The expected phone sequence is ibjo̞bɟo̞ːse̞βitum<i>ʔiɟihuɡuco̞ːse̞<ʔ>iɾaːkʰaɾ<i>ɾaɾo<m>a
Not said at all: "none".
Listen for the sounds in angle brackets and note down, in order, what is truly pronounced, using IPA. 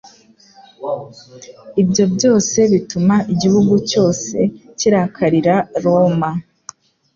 a, c, i, m

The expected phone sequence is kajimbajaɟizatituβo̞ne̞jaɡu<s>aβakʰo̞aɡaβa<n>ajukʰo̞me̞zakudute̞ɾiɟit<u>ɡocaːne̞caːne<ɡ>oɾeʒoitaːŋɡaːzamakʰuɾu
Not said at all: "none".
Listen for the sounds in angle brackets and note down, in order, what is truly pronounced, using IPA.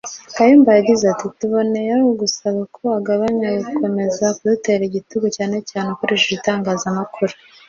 s, ɲ, u, k

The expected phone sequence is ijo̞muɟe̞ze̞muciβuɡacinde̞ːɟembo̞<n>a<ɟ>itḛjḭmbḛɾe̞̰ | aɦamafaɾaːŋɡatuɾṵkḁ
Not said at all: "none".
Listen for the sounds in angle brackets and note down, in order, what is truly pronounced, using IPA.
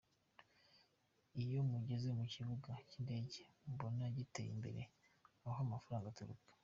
n, ɟ

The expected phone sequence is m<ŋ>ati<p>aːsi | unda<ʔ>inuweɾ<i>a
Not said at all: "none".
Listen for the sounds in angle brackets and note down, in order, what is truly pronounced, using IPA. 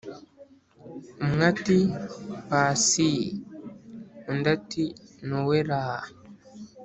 ŋ, p, t, a

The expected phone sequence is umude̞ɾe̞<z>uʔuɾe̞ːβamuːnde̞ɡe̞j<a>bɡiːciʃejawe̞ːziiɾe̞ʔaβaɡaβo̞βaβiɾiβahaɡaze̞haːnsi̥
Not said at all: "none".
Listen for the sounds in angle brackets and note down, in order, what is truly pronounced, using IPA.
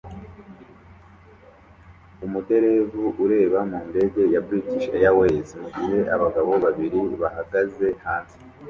v, a

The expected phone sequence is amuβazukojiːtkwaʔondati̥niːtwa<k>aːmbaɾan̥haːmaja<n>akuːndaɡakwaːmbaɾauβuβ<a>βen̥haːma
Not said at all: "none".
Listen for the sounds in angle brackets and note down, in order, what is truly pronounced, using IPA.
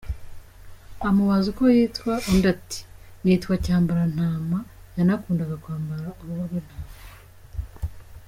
c, n, a

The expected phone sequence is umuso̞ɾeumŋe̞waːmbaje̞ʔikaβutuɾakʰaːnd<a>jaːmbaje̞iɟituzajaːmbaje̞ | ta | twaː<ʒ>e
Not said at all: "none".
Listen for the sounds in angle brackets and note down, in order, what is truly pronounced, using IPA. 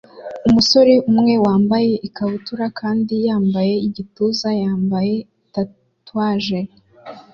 i, ʒ

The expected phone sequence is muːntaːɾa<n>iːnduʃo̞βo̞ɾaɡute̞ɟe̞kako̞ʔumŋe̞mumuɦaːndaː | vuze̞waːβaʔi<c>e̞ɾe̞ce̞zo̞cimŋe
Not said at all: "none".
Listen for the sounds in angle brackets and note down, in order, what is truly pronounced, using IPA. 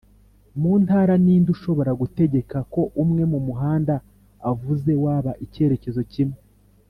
n, c

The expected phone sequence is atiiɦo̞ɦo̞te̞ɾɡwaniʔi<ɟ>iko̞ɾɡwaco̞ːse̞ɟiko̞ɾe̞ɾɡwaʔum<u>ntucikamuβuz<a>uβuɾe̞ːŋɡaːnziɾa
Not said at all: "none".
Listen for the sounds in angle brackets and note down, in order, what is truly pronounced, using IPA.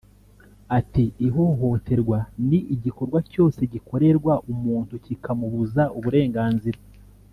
ɟ, uː, a

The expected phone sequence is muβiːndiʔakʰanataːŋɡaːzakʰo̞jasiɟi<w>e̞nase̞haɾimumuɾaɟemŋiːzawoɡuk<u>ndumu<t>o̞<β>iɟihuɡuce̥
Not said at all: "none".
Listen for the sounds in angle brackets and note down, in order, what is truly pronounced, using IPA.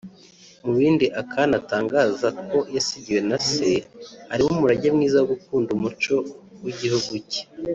w, uː, t͡ʃ, w

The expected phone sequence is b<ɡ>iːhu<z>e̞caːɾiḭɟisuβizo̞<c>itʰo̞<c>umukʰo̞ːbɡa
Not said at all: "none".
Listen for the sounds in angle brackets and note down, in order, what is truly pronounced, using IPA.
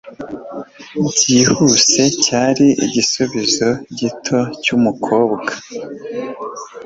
ɟ, s, ɟ, c

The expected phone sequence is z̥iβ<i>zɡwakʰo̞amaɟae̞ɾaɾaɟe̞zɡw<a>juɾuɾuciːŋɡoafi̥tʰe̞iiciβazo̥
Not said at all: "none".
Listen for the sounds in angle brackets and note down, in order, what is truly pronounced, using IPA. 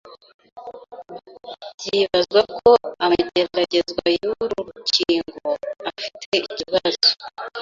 a, a

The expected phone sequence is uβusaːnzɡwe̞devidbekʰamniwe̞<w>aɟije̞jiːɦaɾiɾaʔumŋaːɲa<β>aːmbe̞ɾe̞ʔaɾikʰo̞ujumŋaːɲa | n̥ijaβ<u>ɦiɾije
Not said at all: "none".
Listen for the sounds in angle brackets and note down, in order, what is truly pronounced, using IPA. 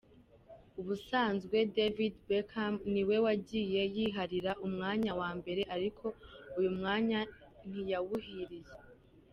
w, w, u

